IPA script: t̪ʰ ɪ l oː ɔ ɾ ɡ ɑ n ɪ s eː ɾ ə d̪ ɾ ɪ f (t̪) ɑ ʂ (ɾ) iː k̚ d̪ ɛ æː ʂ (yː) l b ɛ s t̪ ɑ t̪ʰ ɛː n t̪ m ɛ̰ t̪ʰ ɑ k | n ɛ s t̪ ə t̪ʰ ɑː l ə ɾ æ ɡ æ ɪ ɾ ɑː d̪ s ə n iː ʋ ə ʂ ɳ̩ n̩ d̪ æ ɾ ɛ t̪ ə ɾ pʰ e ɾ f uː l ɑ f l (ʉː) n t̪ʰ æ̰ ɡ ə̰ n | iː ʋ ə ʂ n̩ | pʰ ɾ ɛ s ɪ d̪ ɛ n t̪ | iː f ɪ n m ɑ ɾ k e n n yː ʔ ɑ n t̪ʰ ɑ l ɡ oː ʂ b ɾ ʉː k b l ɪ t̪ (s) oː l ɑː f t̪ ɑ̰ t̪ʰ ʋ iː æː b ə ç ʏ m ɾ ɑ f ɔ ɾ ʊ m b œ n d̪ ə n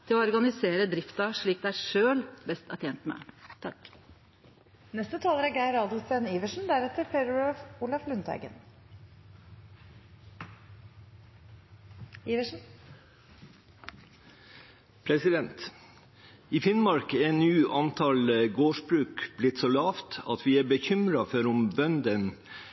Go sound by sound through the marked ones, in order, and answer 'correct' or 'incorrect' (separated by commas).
correct, incorrect, incorrect, incorrect, correct